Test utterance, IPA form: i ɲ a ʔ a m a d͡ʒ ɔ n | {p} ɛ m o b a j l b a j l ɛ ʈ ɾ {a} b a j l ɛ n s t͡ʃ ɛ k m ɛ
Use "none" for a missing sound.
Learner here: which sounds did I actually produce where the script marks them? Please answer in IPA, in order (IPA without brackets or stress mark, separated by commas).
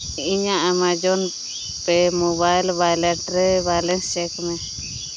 p, ɛ